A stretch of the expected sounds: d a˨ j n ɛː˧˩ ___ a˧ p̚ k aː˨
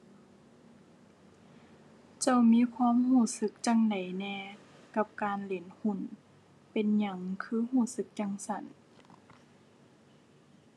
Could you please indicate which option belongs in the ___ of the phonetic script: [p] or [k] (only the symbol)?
k